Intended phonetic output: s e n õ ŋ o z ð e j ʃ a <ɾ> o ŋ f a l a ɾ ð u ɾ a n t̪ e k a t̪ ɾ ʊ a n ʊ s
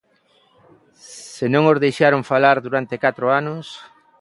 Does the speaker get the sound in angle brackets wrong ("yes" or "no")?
no